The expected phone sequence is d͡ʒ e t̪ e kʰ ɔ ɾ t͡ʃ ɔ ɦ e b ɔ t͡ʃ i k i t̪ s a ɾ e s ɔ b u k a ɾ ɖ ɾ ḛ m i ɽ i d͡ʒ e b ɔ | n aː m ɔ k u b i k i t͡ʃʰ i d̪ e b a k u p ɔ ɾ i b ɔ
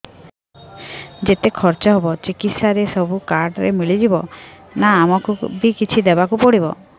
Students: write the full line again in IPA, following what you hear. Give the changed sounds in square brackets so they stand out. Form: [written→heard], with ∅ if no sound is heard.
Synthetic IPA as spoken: d͡ʒ e t̪ e kʰ ɔ ɾ t͡ʃ ɔ ɦ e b ɔ t͡ʃ i k i t̪ s a ɾ e s ɔ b u k a ɾ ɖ ɾ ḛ m i [ɽ→ɭ] i d͡ʒ [e→i] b ɔ | n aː m ɔ k u b i k i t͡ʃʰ i d̪ e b a k u p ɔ [ɾ→ɽ] i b ɔ